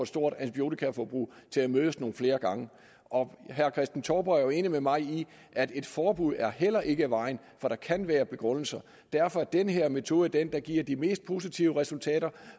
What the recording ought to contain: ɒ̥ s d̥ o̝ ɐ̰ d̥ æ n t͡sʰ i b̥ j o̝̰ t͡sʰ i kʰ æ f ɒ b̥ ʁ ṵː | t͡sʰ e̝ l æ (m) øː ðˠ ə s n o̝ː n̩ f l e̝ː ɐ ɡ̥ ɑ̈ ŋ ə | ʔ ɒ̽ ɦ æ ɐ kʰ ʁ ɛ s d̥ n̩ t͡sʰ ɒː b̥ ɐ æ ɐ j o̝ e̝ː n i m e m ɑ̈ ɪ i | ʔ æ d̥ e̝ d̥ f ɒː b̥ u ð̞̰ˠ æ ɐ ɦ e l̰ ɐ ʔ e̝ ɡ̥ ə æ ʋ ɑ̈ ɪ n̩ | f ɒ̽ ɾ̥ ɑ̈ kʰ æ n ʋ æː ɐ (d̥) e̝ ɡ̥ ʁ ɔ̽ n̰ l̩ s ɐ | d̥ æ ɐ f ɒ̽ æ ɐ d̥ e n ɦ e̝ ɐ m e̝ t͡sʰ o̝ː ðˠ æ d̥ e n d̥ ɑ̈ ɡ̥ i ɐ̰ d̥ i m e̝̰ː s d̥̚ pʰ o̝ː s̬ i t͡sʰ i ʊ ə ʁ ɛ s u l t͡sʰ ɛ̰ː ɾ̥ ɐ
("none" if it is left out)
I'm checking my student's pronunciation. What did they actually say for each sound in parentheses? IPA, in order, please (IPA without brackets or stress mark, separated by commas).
m, b̥